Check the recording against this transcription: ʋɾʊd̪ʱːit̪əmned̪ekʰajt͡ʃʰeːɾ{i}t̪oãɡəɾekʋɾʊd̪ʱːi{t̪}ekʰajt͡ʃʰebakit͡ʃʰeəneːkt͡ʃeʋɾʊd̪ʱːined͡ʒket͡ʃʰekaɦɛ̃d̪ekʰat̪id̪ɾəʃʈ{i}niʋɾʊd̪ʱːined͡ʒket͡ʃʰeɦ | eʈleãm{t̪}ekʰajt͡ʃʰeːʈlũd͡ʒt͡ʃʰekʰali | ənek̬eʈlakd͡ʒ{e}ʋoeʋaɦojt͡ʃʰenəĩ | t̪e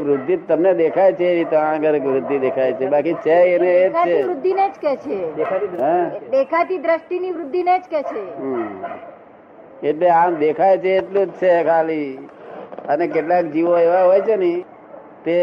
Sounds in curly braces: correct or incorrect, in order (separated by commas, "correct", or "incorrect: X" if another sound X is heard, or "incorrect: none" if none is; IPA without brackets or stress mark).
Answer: correct, incorrect: d̪, correct, incorrect: d̪, incorrect: i